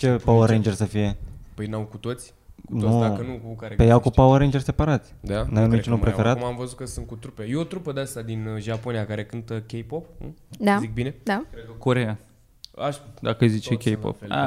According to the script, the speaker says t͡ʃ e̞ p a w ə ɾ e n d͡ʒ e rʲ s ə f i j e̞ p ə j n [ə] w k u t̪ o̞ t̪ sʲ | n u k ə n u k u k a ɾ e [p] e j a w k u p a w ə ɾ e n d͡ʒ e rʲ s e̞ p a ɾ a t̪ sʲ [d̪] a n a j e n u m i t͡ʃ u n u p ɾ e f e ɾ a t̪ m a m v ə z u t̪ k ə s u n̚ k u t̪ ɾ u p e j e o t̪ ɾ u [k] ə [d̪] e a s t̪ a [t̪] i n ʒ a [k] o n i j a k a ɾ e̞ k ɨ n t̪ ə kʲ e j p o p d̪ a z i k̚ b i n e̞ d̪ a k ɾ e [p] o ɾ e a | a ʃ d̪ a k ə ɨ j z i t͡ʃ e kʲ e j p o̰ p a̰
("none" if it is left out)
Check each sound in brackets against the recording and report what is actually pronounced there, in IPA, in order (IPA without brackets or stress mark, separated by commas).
a, p, d̪, p, d̪, d̪, p, k